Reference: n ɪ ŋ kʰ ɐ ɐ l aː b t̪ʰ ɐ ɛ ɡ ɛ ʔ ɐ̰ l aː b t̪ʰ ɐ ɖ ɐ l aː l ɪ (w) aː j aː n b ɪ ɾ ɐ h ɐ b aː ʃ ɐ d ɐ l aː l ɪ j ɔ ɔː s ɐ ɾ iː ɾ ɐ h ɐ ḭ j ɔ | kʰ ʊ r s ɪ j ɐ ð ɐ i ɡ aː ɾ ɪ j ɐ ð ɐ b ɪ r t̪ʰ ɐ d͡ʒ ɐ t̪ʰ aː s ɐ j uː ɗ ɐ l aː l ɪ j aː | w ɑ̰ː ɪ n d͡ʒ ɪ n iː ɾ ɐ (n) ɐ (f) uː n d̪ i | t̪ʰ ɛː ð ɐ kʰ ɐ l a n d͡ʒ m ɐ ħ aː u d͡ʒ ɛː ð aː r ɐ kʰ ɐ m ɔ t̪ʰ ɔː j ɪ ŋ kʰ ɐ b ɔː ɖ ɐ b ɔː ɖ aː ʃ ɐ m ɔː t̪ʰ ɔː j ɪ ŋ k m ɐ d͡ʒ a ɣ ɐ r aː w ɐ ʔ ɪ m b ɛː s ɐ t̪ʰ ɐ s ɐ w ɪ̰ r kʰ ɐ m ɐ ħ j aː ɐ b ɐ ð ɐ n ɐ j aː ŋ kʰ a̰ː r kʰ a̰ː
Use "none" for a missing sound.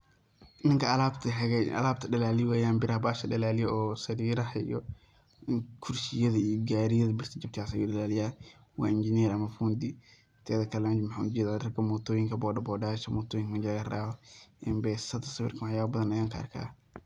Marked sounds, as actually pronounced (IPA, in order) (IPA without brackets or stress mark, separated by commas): w, m, f